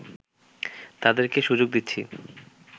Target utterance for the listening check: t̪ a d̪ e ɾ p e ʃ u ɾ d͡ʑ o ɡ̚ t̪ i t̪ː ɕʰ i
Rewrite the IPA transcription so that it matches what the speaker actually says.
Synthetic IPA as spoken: t̪ a d̪ e ɾ k e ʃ u d͡ʑ o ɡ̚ d̪ i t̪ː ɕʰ i